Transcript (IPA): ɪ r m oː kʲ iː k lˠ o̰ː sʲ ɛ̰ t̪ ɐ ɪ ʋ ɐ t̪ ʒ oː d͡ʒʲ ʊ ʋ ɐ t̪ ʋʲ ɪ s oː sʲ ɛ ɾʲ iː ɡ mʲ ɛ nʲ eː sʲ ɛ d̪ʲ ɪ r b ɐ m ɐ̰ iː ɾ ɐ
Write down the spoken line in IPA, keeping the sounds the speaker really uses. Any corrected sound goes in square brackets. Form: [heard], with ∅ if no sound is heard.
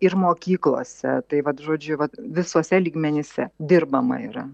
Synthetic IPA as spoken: ɪ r m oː kʲ iː k lˠ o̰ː sʲ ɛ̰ t̪ ɐ ɪ ʋ ɐ t̪ ʒ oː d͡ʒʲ ʊ ʋ ɐ t̪ ʋʲ ɪ s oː sʲ ɛ [lʲ] iː ɡ mʲ ɛ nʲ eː sʲ ɛ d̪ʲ ɪ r b ɐ m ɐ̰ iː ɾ ɐ